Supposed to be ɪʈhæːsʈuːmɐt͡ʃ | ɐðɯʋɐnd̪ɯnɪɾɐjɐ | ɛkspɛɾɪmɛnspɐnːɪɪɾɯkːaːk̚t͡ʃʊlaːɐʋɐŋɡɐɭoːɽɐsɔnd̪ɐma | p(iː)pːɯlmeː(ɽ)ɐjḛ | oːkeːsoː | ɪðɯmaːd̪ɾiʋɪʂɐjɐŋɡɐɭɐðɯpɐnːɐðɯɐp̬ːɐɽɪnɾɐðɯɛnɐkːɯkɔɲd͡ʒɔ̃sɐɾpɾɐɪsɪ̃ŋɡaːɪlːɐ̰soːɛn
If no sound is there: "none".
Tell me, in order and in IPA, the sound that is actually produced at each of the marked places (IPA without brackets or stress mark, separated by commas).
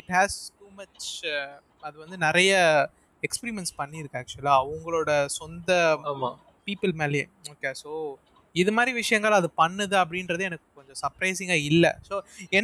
iː, l